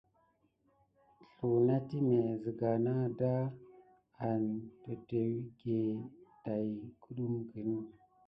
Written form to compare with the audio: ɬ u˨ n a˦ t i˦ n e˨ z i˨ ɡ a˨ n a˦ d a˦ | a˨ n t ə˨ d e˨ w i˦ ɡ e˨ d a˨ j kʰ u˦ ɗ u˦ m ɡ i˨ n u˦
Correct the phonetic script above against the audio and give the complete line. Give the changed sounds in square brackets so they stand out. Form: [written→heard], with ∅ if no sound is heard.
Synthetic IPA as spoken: ɬ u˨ n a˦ t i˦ n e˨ z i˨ ɡ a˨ n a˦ d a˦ | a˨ n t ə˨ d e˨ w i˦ ɡ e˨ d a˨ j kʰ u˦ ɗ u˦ m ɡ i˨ n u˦

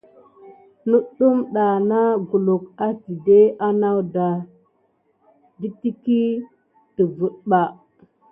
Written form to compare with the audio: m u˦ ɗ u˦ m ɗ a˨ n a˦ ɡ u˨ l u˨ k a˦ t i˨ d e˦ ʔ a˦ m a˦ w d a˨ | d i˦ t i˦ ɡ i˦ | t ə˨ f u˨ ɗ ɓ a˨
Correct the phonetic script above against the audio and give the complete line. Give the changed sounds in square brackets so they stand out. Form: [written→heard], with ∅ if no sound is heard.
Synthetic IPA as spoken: [m→n] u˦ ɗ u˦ m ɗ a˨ n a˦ ɡ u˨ l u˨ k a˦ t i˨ d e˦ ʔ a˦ [m→n] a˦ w d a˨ | d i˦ t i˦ [ɡ→k] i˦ | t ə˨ [f→v] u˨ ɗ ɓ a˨

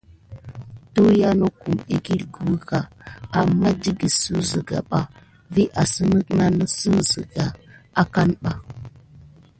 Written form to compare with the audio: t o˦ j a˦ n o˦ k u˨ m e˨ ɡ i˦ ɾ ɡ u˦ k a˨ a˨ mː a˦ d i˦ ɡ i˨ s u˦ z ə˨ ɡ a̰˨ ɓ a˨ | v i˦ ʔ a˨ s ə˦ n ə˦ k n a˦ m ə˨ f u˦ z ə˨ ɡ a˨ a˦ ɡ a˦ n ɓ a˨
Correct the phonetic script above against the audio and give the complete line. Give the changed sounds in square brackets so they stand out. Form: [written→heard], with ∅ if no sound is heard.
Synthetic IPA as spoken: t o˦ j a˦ n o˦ k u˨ m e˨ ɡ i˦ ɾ ɡ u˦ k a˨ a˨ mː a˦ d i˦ ɡ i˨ s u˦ z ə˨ ɡ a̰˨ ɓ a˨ | v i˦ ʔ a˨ s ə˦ n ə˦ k n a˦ [m→n] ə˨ [f→s] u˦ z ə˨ ɡ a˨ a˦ [ɡ→k] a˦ n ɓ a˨

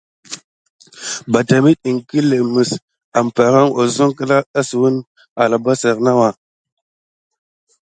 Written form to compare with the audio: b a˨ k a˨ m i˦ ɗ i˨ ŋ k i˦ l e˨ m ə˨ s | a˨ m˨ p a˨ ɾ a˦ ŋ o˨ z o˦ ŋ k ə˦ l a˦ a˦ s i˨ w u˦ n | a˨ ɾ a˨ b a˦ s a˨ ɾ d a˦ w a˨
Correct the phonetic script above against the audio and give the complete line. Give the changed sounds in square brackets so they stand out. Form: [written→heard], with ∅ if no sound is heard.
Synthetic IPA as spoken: b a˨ [k→t] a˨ m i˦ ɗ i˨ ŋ k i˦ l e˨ m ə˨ s | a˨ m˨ p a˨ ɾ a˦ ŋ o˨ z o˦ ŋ k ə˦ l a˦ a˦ s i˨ w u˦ n | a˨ [ɾ→l] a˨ b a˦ s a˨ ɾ [d→n] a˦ w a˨

